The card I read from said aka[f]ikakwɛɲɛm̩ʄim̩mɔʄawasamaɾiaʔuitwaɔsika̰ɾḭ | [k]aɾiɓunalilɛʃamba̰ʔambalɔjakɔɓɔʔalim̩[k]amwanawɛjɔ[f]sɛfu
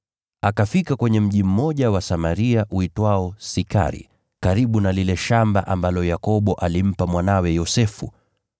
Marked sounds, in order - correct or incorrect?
correct, correct, incorrect: p, incorrect: none

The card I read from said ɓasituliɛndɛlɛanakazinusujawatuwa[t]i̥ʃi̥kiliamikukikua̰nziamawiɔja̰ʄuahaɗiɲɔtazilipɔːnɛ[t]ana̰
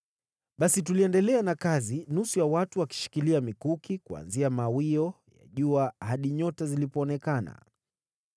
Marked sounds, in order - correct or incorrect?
incorrect: k, incorrect: k

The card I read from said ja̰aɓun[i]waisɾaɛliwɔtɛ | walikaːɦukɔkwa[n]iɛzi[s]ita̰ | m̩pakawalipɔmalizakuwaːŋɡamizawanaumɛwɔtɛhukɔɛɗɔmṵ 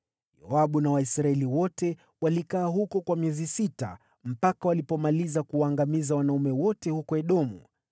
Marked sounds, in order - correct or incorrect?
incorrect: a, incorrect: m, correct

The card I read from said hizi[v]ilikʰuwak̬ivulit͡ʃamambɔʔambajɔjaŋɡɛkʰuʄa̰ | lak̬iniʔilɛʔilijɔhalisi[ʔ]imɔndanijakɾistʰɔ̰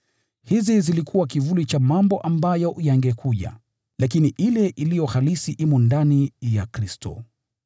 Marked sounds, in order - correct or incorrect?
incorrect: z, correct

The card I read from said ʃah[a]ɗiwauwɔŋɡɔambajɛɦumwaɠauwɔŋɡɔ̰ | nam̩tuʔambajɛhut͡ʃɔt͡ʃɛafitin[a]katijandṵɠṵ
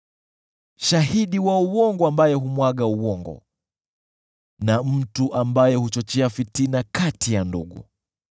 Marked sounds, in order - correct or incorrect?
incorrect: i, correct

